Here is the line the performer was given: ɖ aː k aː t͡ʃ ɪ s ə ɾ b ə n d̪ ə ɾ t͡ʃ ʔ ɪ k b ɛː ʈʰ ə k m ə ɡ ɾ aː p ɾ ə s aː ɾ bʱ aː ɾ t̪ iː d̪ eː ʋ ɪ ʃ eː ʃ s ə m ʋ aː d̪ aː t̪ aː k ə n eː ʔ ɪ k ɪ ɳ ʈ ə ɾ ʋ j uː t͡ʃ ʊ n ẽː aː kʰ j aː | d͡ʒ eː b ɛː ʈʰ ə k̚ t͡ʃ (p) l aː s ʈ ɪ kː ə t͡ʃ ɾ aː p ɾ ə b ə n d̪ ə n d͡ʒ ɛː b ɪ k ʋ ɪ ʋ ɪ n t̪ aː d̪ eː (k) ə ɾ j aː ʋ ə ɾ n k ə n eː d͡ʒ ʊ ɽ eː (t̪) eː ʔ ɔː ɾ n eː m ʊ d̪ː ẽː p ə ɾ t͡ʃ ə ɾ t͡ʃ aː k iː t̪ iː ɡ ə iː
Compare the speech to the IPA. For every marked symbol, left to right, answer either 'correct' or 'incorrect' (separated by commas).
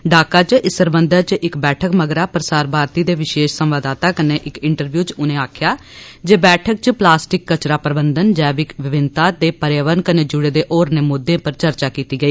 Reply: correct, incorrect, incorrect